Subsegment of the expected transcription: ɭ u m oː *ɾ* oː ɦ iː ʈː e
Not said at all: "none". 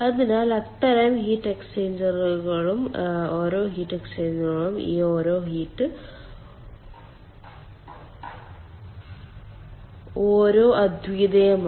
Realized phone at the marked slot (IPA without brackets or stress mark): ɾ